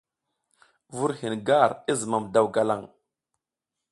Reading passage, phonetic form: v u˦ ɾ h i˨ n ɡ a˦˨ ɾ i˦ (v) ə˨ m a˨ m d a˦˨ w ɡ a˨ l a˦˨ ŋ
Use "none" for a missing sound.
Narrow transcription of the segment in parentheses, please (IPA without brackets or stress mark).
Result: z